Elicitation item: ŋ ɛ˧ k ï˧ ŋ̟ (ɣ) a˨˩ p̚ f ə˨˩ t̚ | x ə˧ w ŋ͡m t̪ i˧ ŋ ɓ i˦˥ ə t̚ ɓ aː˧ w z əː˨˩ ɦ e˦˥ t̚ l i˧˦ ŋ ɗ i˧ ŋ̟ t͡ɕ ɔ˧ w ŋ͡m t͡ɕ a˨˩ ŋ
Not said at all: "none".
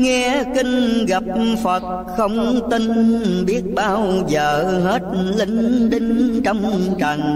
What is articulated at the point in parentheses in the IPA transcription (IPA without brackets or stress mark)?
ɣ